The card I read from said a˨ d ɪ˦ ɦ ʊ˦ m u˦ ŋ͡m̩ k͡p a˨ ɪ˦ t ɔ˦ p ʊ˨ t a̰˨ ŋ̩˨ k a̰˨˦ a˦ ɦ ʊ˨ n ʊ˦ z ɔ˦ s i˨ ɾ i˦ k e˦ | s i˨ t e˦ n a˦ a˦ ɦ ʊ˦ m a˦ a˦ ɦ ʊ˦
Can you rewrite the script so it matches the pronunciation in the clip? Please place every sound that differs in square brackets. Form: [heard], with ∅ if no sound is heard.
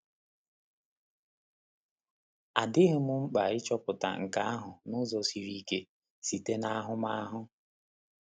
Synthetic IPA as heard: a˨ d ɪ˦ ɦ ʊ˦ m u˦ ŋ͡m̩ k͡p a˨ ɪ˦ [t͡ʃ] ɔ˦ p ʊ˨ t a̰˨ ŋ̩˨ k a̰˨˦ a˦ ɦ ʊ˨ n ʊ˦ z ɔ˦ s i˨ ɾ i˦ k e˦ | s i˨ t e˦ n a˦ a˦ ɦ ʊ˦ m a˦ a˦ ɦ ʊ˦